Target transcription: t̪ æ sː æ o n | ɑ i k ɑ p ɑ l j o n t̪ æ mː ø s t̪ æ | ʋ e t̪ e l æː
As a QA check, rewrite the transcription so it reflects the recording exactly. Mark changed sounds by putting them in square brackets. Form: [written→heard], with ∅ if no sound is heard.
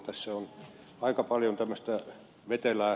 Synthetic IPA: t̪ æ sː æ o n | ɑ i k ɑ p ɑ l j o n t̪ æ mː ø s t̪ æ | ʋ e t̪ e l æː